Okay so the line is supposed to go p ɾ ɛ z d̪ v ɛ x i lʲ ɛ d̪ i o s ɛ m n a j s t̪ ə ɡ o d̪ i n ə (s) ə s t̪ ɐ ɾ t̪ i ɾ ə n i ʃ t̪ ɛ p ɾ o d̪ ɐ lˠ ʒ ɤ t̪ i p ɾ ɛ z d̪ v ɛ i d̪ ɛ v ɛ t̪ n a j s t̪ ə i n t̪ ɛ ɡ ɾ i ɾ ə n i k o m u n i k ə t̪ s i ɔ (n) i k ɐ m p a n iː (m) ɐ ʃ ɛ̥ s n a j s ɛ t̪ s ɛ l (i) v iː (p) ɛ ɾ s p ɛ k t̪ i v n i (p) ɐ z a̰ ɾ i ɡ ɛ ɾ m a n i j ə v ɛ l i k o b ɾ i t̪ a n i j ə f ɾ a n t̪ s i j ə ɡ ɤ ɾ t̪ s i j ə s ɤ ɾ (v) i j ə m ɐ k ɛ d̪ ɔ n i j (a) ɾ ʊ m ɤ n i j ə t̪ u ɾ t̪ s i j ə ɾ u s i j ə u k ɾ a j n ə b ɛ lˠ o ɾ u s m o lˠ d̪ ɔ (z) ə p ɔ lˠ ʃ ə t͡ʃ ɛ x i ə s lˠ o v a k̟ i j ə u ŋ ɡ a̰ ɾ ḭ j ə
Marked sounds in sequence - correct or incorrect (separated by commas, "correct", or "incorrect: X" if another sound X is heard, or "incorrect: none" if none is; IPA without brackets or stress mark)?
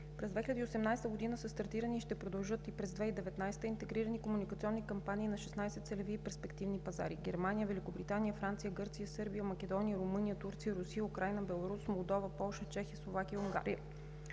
correct, incorrect: nː, incorrect: n, incorrect: ɛ, correct, correct, incorrect: b, incorrect: ə, incorrect: v